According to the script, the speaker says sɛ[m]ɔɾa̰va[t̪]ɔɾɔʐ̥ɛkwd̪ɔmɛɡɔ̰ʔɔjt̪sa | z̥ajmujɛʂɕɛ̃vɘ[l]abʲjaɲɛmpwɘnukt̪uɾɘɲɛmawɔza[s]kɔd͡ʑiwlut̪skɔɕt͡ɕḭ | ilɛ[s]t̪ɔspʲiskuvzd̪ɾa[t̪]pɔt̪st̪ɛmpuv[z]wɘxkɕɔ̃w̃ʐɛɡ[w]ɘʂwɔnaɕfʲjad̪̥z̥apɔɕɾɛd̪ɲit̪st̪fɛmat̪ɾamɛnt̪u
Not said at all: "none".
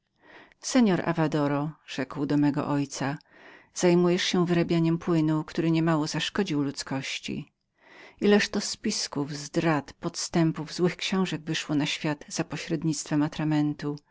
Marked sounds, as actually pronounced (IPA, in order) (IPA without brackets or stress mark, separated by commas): ɲ, d̪, ɾ, ʂ, ʂ, t̪, z, v